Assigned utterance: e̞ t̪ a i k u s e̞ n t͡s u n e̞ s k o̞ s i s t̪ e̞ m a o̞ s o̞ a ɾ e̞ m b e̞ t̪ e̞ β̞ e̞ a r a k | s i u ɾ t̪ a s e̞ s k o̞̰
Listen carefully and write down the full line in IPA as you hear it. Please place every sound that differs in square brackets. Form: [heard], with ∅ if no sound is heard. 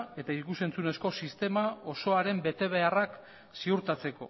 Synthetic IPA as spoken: e̞ t̪ a i k u s e̞ n t͡s u n e̞ s k o̞ s i s t̪ e̞ m a o̞ s o̞ a ɾ e̞ m b e̞ t̪ e̞ β̞ e̞ a r a k | s i u ɾ t̪ a [t͡s] e̞ [∅] k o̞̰